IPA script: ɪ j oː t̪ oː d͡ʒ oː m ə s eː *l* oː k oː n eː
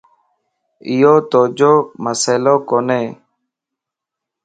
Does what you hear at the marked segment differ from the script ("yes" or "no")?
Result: no